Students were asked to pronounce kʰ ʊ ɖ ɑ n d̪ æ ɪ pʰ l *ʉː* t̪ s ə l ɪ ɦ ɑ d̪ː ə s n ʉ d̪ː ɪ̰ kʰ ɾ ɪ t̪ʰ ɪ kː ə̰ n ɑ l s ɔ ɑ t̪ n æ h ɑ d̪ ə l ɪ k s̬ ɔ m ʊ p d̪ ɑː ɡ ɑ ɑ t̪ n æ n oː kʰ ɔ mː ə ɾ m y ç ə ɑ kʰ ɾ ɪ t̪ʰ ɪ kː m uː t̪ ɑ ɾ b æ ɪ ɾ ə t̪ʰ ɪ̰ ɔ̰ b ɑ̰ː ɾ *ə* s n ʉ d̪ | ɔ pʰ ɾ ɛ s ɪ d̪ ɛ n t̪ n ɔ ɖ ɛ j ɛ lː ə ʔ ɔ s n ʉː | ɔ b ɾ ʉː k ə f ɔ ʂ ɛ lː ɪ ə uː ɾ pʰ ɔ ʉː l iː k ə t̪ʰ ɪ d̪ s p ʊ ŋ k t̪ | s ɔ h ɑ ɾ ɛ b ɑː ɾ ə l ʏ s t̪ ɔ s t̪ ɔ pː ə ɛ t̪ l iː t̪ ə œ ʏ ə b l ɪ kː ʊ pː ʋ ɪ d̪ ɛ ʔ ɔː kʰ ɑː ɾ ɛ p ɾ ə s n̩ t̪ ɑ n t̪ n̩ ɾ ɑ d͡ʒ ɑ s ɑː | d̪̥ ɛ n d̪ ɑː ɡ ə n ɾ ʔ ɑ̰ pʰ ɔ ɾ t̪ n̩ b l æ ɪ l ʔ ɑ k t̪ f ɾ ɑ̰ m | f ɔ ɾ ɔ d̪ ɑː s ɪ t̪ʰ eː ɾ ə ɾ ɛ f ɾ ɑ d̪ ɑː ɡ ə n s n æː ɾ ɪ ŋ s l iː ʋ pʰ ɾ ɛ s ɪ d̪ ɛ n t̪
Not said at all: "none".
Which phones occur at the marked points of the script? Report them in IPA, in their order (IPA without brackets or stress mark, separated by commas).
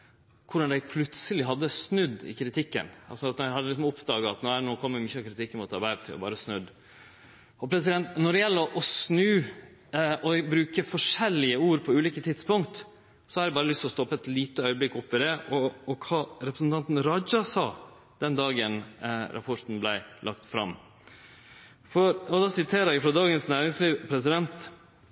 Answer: ʉ, ə